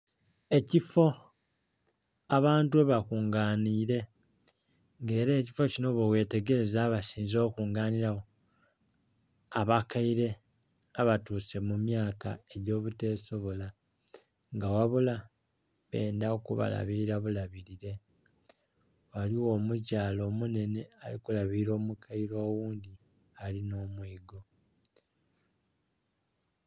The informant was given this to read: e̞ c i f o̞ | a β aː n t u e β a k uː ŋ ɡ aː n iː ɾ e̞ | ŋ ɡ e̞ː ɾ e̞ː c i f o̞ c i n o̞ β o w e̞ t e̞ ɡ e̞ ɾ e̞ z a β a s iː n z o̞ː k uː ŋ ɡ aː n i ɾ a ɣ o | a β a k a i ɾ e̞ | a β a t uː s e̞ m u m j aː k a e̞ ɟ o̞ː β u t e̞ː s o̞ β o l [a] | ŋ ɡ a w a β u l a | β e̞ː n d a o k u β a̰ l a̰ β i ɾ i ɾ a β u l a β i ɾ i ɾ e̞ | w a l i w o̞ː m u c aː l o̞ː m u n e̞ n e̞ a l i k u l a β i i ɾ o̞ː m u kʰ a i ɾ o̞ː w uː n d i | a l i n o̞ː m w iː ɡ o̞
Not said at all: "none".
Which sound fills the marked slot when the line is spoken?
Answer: a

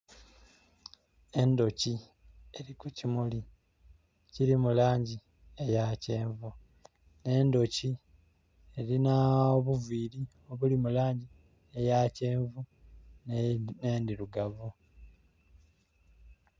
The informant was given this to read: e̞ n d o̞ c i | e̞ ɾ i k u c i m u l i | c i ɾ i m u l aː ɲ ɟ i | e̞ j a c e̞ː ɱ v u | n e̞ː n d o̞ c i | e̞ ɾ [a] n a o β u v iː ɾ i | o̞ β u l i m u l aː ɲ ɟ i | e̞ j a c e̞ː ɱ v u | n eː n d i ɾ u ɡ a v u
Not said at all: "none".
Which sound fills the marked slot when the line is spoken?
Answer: i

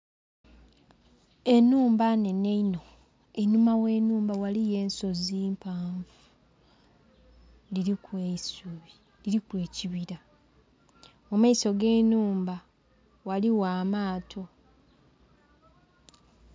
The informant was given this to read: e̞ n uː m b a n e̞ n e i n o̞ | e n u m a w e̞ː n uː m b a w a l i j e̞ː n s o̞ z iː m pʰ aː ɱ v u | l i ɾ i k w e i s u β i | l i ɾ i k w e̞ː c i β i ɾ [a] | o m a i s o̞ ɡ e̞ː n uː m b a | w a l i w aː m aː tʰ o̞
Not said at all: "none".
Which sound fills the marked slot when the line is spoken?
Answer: a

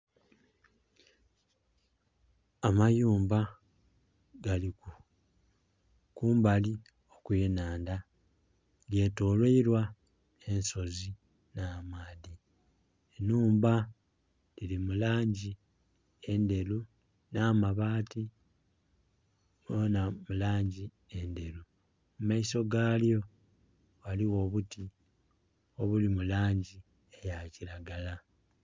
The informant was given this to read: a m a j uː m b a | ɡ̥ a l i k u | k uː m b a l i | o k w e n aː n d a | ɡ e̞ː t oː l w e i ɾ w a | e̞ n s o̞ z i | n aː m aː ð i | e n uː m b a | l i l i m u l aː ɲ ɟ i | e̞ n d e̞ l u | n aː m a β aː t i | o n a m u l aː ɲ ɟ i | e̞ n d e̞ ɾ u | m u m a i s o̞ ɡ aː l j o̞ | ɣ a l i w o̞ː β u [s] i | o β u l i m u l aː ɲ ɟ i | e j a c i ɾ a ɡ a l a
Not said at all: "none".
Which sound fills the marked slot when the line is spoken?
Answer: t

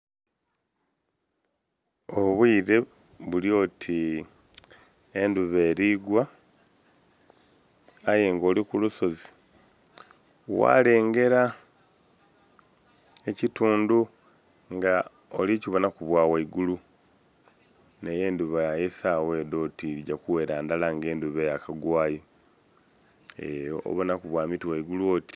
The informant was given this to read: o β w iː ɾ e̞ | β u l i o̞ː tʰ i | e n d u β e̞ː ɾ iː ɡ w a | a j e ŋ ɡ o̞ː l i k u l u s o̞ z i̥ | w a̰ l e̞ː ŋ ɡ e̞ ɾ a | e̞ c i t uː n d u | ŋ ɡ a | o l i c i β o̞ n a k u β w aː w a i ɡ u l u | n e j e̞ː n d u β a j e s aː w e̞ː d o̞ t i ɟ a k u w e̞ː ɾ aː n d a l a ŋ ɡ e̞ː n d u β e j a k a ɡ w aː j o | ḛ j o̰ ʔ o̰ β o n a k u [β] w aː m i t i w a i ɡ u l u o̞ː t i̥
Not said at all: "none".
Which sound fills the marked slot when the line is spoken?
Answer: β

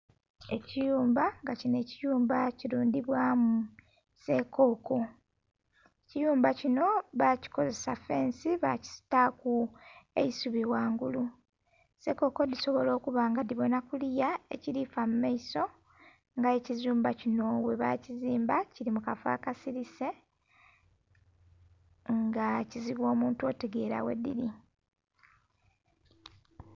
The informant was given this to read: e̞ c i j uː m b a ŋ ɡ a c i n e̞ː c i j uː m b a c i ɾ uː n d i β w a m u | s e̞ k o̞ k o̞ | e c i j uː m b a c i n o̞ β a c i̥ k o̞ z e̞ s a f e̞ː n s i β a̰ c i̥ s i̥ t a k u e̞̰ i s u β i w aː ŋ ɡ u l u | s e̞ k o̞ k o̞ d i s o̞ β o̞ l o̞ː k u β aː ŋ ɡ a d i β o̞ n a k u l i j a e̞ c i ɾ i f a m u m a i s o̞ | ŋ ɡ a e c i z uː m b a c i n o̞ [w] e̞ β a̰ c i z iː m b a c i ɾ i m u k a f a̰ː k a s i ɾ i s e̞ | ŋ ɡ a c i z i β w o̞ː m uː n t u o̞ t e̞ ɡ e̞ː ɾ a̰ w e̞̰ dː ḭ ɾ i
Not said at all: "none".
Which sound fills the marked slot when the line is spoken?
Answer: w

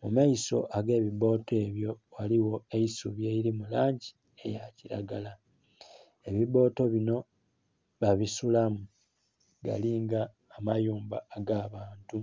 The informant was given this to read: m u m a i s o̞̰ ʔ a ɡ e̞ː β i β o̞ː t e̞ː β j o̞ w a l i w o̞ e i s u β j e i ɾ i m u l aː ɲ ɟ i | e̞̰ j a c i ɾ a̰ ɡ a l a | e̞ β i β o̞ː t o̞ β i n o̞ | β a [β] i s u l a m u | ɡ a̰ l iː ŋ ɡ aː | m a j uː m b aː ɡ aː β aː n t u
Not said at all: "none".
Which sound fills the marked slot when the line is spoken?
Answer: β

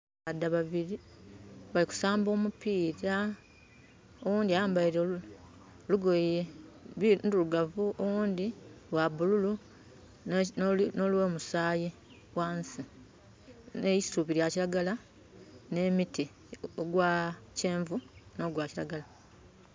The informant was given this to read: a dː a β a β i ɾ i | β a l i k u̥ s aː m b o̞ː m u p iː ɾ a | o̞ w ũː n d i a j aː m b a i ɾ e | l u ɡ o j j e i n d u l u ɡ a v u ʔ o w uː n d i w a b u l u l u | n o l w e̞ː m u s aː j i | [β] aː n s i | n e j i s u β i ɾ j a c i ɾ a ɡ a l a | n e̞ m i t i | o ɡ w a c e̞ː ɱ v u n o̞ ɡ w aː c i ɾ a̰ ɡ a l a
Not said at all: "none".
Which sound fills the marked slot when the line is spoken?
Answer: w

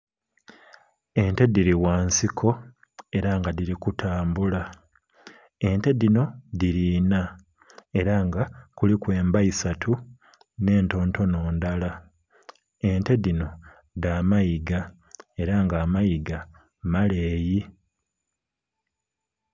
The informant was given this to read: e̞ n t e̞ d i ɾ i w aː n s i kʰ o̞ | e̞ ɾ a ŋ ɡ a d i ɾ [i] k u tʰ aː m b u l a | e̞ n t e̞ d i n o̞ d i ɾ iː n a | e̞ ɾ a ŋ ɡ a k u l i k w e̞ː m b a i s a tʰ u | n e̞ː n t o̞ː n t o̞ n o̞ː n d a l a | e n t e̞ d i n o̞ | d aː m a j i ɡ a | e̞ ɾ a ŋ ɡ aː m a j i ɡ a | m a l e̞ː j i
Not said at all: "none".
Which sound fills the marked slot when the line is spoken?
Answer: i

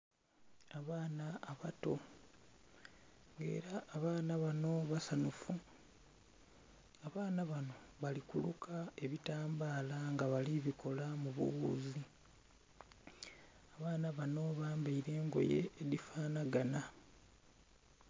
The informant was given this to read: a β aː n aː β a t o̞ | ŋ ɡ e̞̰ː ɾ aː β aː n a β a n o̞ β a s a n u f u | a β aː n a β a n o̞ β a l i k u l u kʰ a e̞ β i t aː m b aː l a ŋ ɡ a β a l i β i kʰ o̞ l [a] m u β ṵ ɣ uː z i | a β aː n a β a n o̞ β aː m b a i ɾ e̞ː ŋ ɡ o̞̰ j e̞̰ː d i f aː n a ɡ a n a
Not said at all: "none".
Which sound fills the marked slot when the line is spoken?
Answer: a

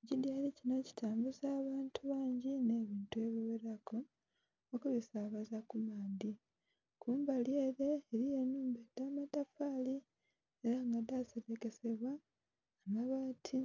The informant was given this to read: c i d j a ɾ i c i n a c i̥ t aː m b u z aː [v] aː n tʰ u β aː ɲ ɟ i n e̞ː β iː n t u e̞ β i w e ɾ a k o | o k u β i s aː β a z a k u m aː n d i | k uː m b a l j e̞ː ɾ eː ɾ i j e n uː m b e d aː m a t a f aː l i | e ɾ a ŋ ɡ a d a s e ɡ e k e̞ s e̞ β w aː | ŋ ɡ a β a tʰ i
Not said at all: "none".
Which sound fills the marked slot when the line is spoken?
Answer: β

